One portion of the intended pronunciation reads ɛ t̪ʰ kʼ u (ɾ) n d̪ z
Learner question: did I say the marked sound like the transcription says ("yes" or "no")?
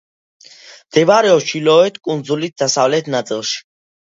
no